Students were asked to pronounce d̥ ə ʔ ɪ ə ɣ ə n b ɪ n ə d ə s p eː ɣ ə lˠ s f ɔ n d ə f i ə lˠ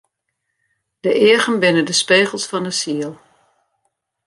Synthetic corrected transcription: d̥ ə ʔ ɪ ə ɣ ə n b ɪ n ə d ə s p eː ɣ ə lˠ s f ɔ n d ə s i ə lˠ